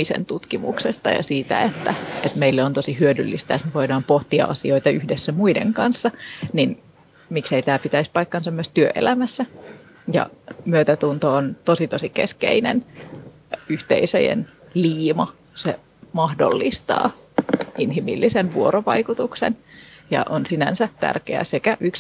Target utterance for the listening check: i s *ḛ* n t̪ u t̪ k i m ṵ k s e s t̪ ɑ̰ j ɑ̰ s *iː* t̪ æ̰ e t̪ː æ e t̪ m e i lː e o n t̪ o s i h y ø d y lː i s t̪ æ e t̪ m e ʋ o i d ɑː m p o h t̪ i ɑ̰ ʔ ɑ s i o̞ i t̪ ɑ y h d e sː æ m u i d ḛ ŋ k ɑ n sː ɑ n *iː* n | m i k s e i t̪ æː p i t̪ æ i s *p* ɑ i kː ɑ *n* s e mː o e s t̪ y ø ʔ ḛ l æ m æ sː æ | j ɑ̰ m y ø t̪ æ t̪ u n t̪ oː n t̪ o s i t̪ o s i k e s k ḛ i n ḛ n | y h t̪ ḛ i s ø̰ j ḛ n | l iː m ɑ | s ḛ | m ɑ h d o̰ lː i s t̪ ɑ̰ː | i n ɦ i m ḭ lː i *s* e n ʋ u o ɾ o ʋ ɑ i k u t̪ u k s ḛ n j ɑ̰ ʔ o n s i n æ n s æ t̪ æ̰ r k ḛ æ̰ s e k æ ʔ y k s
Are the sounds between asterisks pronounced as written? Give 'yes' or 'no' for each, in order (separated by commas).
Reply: yes, yes, no, yes, yes, yes